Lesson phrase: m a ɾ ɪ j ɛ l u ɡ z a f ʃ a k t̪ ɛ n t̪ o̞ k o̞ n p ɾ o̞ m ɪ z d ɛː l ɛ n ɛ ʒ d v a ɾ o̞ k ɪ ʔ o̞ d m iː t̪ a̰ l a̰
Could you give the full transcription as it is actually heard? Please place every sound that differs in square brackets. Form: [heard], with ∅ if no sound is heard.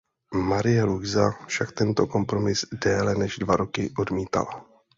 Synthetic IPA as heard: m a ɾ ɪ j ɛ l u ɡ z a f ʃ a k t̪ ɛ n t̪ o̞ k o̞ [m] p ɾ o̞ m ɪ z d ɛː l ɛ n ɛ ʒ d v a ɾ o̞ k ɪ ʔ o̞ d m iː t̪ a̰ l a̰